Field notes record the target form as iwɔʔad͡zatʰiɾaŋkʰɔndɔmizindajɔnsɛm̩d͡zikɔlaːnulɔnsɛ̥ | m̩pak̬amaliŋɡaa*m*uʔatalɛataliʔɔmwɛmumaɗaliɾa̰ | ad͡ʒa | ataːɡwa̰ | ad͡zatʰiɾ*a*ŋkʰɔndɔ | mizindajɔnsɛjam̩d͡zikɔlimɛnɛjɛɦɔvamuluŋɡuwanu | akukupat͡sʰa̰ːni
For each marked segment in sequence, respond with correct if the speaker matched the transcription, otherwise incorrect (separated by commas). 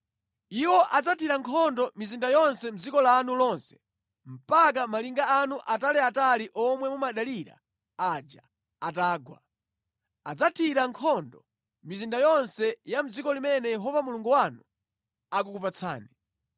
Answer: incorrect, correct